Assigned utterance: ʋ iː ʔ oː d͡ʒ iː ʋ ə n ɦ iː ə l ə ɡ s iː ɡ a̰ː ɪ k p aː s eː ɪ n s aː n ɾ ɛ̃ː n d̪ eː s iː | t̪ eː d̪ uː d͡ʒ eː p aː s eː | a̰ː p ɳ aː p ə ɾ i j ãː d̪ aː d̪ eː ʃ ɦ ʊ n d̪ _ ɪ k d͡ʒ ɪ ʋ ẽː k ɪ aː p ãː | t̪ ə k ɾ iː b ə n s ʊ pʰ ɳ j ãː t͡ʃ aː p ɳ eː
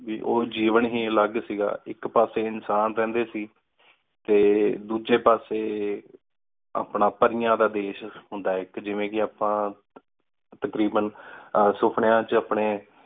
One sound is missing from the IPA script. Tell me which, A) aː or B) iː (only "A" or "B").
A